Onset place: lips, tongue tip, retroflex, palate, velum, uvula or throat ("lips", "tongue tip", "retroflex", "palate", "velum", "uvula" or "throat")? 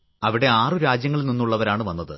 lips